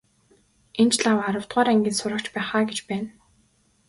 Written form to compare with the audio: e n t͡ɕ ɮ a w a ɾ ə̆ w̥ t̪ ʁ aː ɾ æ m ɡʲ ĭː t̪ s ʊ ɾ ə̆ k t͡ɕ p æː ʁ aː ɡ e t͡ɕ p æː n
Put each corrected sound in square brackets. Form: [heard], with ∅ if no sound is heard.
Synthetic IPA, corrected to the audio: e n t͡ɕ ɮ a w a ɾ ə̆ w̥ t̪ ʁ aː ɾ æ [ŋ] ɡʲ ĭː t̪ s ʊ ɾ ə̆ k t͡ɕ p æː [χ] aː ɡ e t͡ɕ p æː n